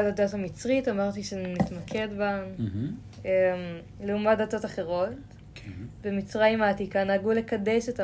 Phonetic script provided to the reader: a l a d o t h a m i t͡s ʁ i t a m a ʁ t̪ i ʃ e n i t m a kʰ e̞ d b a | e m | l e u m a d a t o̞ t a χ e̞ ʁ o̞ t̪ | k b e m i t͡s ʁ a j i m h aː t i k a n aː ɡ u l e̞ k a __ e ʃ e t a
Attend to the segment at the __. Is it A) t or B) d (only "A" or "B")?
B